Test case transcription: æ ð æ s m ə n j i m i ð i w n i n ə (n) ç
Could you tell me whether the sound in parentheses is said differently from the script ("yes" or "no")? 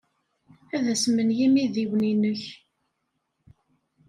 yes